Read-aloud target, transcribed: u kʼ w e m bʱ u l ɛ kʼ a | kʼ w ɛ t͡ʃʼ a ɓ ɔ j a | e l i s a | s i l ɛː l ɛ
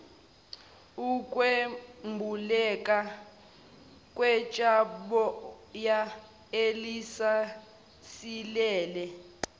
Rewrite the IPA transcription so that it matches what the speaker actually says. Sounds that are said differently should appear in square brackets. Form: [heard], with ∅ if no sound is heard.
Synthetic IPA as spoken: u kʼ w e m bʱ u l ɛ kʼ a | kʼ w ɛ t͡ʃʼ a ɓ ɔ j a | e l i s a | s i l ɛː l ɛ